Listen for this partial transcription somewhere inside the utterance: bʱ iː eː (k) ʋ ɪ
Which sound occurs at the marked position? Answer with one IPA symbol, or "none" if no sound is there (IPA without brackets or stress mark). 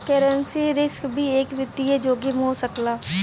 k